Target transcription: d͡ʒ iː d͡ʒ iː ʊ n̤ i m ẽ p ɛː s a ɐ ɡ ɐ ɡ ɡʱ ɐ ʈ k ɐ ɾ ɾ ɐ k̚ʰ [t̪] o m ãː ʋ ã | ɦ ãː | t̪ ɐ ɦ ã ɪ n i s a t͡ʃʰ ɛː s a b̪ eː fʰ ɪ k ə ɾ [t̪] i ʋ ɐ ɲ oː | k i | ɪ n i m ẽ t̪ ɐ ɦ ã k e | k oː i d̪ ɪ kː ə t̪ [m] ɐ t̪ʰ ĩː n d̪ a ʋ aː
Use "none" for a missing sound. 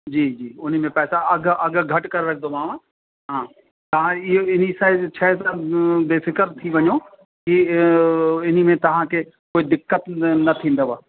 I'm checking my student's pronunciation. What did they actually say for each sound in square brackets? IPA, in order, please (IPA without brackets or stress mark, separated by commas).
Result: d̪, t̪ʰ, n